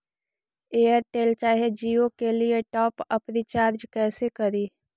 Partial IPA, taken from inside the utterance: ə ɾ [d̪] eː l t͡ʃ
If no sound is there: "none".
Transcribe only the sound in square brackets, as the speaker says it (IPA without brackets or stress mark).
t̪